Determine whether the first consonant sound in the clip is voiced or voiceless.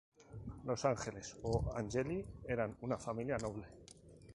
voiced